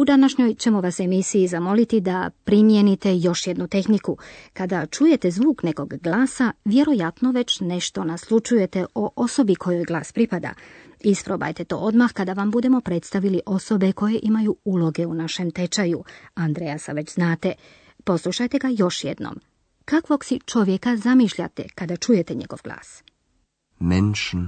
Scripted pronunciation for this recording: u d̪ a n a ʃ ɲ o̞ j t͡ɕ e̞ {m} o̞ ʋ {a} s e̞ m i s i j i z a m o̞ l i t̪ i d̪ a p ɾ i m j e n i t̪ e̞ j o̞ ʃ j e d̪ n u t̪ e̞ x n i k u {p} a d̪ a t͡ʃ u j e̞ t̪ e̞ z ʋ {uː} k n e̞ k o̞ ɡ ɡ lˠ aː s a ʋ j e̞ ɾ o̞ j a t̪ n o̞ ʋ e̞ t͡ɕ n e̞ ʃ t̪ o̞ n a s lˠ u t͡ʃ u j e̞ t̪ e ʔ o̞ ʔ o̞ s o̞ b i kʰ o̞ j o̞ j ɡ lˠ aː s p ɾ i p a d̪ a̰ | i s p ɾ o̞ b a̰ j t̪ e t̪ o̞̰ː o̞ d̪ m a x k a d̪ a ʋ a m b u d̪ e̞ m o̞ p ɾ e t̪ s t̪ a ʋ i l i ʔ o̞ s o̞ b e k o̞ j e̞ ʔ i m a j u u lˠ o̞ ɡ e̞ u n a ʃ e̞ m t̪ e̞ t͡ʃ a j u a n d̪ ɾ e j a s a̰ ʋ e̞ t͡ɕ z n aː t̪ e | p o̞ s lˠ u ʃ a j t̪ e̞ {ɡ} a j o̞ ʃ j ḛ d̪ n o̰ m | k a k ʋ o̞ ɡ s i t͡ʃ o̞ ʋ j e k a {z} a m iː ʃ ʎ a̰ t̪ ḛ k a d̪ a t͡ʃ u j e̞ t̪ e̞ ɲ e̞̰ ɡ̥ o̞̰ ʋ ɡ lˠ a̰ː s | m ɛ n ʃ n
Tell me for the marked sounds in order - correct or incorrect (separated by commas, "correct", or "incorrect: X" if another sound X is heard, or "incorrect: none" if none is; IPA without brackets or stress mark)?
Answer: correct, correct, incorrect: k, correct, correct, correct